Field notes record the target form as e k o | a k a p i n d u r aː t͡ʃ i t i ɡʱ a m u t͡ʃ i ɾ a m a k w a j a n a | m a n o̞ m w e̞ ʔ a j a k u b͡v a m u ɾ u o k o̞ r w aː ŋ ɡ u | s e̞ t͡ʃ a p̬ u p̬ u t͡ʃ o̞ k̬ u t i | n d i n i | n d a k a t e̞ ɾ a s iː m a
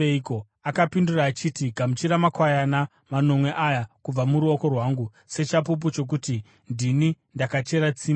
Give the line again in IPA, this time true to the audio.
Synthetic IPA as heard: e k o | a k a p i n d u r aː t͡ʃ i t i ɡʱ a m u t͡ʃ i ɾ a m a k w a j a n a | m a n o̞ m w e̞ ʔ a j a k u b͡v a m u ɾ u o k o̞ r w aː ŋ ɡ u | s e̞ t͡ʃ a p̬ u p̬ u t͡ʃ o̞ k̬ u t i | n d i n i | n d a k a t͡ʃ e̞ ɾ a t͡s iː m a